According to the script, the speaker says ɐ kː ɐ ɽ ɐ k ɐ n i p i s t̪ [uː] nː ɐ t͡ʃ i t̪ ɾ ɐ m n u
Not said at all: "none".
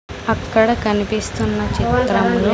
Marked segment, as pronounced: u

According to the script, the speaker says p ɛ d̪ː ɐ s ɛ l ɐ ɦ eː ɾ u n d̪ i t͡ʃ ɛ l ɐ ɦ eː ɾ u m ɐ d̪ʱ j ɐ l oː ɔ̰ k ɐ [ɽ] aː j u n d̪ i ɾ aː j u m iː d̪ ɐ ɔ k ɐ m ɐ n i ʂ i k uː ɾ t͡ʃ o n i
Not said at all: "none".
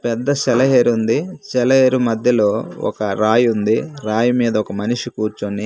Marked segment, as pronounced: ɾ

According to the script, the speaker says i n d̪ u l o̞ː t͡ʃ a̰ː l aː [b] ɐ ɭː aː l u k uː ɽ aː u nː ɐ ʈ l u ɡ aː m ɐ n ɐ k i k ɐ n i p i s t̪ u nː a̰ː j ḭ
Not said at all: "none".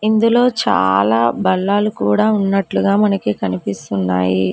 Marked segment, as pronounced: b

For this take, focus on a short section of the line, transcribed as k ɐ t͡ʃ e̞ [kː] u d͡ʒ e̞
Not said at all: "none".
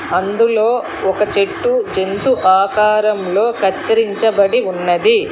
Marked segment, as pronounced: ʈː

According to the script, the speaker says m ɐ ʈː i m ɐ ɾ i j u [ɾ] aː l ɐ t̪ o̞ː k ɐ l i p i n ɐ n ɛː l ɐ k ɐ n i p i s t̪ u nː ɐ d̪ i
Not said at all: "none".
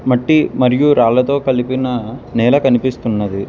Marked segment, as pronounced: ɾ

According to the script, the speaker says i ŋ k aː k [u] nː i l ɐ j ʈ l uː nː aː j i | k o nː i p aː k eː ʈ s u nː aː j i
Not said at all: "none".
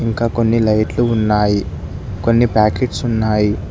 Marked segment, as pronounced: o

